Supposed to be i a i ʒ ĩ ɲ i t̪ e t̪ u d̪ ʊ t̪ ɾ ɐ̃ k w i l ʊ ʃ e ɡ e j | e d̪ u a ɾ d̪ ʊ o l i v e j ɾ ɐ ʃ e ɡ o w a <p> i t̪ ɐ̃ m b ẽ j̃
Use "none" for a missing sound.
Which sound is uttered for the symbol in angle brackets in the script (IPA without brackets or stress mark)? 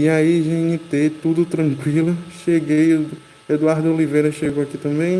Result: k